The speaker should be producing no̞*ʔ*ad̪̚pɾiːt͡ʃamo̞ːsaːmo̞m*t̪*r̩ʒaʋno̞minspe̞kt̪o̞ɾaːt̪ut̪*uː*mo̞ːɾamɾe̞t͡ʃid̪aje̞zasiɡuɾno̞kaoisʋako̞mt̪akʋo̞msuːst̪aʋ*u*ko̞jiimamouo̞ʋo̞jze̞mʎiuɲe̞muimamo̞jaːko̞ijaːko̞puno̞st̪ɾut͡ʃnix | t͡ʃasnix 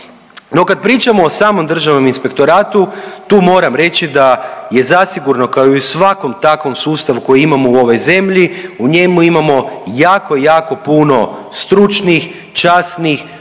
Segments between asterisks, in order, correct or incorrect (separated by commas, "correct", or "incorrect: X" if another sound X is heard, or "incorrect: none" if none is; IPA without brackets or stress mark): incorrect: k, incorrect: d̪, correct, correct